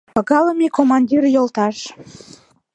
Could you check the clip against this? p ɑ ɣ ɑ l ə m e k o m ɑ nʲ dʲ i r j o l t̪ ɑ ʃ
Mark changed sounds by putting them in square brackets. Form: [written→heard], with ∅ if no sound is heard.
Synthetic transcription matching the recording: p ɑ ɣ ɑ l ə m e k o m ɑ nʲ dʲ i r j o l t̪ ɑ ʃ